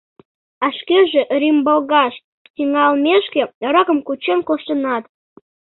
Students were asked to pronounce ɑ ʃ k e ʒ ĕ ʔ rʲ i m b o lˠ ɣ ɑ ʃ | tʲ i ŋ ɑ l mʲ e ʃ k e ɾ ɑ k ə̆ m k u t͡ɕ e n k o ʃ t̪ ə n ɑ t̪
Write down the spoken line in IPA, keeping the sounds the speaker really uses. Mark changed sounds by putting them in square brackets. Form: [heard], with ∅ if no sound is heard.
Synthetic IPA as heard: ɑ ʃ k e ʒ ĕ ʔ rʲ i m b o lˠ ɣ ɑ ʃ | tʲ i ŋ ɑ l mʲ e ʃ k e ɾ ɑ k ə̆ m k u t͡ɕ e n k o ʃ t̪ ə n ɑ t̪